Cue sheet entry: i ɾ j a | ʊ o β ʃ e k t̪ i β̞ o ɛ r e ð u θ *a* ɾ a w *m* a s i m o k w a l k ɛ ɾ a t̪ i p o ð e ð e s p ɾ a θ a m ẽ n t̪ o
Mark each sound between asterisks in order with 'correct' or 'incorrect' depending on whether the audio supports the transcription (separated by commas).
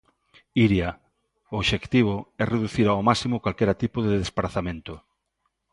incorrect, correct